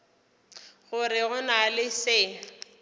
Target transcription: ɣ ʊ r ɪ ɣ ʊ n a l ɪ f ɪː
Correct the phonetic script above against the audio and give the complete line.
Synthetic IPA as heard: ɣ ʊ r ɪ ɣ ʊ n a l ɪ s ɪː